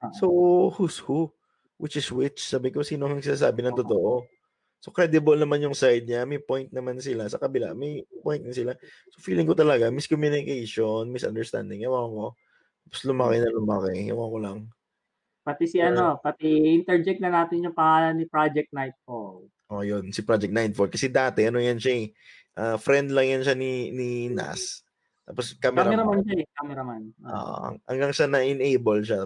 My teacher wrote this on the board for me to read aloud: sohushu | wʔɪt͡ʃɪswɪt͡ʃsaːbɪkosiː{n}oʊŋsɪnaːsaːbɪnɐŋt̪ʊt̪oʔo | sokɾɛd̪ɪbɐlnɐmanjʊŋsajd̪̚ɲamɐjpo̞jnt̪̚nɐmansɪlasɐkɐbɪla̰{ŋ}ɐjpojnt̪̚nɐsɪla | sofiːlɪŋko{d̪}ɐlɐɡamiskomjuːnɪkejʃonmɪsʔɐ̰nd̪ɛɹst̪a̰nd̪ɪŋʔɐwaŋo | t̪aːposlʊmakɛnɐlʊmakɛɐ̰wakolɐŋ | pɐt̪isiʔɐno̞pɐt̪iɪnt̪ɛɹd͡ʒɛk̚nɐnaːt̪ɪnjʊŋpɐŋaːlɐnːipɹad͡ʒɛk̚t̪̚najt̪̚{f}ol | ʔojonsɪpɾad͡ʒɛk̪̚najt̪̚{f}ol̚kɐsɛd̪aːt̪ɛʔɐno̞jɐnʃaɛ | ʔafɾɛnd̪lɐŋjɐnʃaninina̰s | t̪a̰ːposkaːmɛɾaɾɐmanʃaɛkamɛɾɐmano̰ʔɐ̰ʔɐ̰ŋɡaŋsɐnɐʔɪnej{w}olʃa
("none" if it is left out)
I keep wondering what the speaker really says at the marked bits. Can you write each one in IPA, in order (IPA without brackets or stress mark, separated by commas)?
n, m, t̪, f, f, b